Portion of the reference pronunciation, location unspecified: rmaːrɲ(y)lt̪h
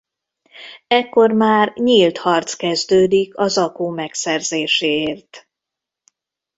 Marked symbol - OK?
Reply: no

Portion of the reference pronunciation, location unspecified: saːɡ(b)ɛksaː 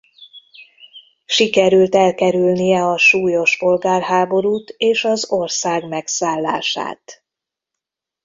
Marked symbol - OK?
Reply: no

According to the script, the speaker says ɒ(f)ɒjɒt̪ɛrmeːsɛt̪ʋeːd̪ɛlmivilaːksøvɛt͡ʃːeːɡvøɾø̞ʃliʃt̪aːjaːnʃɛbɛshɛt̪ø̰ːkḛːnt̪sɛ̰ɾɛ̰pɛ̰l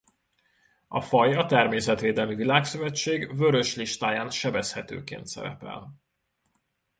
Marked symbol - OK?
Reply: yes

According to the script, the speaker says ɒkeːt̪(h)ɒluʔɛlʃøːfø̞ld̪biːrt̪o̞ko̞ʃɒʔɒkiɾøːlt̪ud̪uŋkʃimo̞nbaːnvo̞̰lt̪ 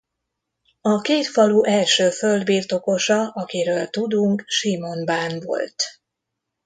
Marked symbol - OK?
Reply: no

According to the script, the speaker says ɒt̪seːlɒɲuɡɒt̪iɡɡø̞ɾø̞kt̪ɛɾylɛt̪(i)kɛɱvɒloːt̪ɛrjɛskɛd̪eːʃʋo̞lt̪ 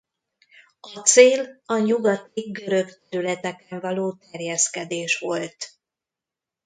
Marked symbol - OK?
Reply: no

